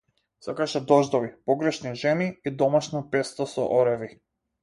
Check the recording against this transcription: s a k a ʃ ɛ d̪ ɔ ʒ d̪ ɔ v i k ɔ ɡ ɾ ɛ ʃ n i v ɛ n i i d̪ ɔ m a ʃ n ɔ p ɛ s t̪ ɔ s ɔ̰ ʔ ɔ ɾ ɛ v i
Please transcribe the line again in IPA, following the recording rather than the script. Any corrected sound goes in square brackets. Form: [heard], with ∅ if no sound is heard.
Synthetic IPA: s a k a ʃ ɛ d̪ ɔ ʒ d̪ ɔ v i [p] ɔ ɡ ɾ ɛ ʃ n i [ʒ] ɛ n i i d̪ ɔ m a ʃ n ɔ p ɛ s t̪ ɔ s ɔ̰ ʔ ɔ ɾ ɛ v i